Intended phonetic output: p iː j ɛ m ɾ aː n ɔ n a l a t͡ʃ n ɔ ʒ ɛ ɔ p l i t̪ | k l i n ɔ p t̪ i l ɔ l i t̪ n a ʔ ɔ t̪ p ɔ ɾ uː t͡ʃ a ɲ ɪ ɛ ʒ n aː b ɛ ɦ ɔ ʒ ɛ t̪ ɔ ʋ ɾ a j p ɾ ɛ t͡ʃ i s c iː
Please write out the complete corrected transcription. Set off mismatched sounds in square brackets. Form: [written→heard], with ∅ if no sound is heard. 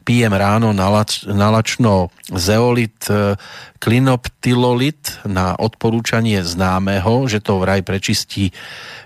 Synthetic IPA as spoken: p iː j ɛ m ɾ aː n ɔ n a l a t͡ʃ n ɔ [ʒ→z] ɛ ɔ [p→∅] l i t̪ | k l i n ɔ p t̪ i l ɔ l i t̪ n a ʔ ɔ t̪ p ɔ ɾ uː t͡ʃ a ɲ ɪ ɛ [ʒ→z] n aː [b→m] ɛ ɦ ɔ ʒ ɛ t̪ ɔ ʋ ɾ a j p ɾ ɛ t͡ʃ i s c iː